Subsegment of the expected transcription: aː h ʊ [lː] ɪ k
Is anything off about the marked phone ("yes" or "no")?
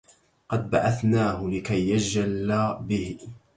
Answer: yes